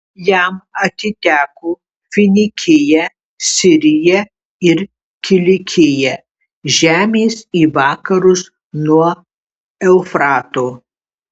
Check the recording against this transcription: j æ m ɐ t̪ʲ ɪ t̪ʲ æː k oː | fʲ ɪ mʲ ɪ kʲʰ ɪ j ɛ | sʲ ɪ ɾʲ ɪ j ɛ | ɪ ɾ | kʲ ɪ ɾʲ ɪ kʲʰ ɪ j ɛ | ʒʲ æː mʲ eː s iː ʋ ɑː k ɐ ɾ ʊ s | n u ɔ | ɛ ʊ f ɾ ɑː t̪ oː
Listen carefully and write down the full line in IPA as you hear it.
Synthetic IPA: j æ m ɐ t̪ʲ ɪ t̪ʲ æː k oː | fʲ ɪ nʲ ɪ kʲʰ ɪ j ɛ | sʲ ɪ ɾʲ ɪ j ɛ | ɪ ɾ | kʲ ɪ lʲ ɪ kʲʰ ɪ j ɛ | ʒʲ æː mʲ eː s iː ʋ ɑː k ɐ ɾ ʊ s | n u ɔ | ɛ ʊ f ɾ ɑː t̪ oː